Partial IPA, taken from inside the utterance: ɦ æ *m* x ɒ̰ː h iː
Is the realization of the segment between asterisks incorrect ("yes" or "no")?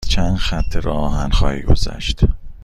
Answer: yes